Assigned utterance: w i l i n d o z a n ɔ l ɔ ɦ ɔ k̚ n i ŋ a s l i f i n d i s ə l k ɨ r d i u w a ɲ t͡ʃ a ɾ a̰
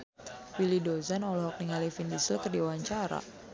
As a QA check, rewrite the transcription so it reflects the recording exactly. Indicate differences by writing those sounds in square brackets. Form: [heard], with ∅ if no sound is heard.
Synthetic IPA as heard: w i l i [∅] d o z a n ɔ l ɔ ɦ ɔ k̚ n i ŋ a [∅] l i f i n d i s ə l k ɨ r d i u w a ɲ t͡ʃ a ɾ a̰